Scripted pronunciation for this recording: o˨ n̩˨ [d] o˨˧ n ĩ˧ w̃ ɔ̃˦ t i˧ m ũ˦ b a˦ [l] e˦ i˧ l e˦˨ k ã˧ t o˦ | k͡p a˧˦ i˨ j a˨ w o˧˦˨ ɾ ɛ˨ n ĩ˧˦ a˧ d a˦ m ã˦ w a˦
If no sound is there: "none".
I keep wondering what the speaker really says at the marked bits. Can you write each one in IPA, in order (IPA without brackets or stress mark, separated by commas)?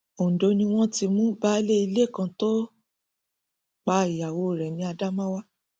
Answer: d, l